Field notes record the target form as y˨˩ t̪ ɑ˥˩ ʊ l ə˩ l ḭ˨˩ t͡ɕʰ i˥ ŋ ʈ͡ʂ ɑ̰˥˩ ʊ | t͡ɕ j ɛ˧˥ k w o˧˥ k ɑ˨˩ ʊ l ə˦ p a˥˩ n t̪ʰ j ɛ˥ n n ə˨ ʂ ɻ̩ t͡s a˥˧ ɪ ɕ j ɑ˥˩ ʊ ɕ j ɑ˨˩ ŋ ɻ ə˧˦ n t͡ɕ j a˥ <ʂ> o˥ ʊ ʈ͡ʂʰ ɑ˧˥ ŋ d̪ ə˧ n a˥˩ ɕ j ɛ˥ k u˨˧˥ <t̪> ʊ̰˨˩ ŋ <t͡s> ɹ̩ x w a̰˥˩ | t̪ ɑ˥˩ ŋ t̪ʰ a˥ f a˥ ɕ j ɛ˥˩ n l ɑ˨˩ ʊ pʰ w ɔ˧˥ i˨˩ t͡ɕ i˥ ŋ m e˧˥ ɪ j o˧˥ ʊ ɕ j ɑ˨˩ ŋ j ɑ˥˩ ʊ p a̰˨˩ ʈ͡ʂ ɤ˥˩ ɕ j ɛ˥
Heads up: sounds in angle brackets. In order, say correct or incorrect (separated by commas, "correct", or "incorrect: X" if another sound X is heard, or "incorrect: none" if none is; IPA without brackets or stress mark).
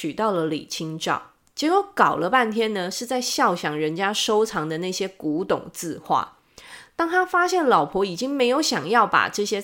correct, correct, correct